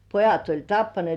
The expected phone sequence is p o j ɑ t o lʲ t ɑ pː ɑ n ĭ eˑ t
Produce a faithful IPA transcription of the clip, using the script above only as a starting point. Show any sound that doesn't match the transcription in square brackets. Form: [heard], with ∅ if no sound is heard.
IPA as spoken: p o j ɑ t o lʲ t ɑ pː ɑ n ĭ eˑ t